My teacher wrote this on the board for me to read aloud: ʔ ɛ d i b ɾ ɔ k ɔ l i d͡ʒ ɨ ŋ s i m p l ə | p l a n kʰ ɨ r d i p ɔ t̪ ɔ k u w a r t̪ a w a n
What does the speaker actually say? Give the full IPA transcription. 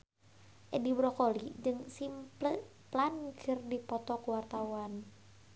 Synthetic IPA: ʔ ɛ d i b ɾ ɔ k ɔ l i d͡ʒ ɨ ŋ s i m p l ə | p l a n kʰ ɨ r d i p ɔ t̪ ɔ k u w a r t̪ a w a n